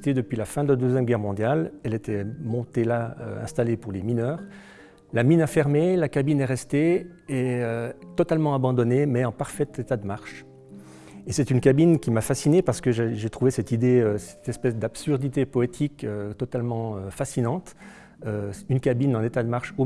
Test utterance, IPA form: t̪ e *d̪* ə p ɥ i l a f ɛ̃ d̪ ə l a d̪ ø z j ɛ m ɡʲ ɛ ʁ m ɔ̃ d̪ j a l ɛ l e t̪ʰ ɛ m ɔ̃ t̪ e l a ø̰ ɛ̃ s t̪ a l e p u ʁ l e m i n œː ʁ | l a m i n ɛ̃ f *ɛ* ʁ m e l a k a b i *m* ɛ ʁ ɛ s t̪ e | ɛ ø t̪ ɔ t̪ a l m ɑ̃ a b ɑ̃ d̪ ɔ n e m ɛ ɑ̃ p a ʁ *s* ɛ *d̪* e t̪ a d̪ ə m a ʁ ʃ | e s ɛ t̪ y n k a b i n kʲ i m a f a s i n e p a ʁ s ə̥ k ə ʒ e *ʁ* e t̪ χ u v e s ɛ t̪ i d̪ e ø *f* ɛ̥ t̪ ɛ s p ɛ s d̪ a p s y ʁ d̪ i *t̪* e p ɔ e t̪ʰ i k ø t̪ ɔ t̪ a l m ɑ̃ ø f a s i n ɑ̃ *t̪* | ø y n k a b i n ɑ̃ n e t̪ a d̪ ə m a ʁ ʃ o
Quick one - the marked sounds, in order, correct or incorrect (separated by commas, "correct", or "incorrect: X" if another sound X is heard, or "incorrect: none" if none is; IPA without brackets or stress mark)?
correct, correct, incorrect: n, incorrect: f, incorrect: t̪, incorrect: ʒ, incorrect: s, correct, correct